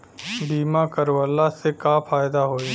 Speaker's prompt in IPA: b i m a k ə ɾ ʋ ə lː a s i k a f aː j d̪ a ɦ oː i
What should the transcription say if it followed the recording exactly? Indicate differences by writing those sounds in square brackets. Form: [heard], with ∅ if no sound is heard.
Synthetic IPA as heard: b [iː] m a k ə ɾ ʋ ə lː a s [e] k a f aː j d̪ a ɦ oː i